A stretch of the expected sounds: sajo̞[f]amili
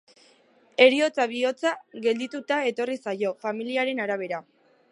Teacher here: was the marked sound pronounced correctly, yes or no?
yes